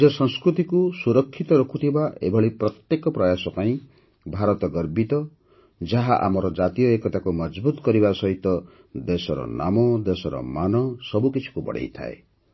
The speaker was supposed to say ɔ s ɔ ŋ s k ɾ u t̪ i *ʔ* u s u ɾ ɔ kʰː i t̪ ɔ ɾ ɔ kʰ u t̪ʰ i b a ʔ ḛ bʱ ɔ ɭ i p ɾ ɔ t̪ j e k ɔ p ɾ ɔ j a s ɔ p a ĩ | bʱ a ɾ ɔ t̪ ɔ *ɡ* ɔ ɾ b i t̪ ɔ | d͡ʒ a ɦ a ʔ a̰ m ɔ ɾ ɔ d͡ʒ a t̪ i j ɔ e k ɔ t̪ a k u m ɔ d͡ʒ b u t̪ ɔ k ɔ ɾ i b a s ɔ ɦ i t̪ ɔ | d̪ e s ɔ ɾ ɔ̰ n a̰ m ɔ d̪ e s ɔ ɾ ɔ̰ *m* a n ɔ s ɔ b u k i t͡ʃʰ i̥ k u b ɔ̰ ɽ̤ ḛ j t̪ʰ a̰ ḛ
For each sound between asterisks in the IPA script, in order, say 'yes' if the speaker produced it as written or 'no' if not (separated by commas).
no, yes, yes